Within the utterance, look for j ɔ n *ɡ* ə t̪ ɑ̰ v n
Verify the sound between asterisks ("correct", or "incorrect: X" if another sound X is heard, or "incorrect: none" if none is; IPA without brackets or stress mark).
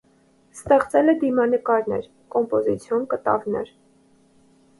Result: incorrect: k